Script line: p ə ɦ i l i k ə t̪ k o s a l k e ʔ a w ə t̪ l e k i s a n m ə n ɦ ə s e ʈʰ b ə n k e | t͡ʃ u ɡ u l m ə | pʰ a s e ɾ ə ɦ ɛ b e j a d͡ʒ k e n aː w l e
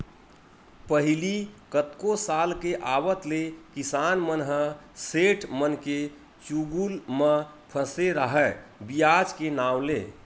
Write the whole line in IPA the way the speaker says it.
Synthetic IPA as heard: p ə ɦ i l i k ə t̪ k o s a l k e ʔ a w ə t̪ l e k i s a n m ə n ɦ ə s e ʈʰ m ə n k e | t͡ʃ u ɡ u l m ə | pʰ ə s e ɾ ə ɦ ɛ b i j a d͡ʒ k e n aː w l e